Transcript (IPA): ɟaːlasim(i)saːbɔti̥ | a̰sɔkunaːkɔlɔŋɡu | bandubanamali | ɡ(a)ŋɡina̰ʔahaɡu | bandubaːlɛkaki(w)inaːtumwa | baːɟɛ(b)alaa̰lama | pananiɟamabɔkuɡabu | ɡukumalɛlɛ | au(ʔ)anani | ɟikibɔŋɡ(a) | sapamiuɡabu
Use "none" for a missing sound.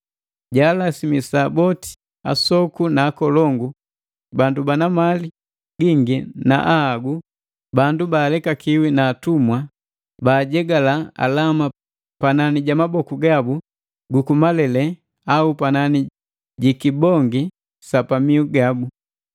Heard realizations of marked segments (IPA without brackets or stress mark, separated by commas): i, i, w, ɡ, p, i